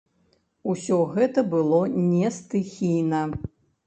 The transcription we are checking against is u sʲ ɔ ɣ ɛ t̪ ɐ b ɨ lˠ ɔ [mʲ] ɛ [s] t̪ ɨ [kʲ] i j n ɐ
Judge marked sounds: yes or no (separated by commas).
no, yes, no